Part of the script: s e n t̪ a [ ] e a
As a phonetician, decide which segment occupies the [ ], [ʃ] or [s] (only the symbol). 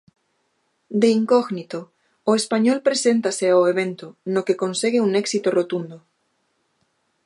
s